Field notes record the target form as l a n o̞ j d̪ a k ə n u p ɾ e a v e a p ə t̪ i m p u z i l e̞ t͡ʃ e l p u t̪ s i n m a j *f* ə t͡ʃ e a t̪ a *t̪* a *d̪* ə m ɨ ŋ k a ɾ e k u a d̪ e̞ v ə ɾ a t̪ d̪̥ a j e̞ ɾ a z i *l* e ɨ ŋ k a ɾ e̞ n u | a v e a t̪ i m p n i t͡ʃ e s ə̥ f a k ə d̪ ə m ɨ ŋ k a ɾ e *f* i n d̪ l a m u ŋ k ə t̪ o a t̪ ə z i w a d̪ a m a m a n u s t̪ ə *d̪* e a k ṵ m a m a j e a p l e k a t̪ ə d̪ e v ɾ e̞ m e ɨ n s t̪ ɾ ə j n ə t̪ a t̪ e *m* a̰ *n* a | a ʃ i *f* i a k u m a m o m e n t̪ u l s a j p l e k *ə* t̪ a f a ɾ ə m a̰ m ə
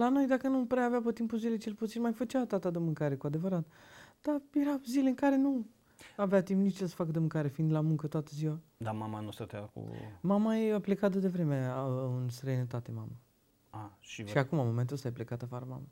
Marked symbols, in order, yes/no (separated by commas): yes, yes, yes, yes, yes, no, yes, no, no, no